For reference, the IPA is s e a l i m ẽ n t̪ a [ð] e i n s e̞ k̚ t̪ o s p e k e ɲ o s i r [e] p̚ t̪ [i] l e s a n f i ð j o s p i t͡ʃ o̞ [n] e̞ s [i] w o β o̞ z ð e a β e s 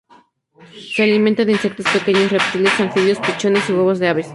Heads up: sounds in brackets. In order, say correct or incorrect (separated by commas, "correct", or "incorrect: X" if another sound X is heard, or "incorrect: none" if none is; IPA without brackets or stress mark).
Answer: correct, correct, correct, correct, correct